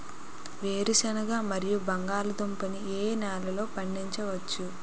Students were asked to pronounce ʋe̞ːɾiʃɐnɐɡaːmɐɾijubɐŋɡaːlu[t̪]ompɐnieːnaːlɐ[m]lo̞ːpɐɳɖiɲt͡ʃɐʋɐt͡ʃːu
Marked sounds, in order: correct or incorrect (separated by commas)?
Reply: incorrect, incorrect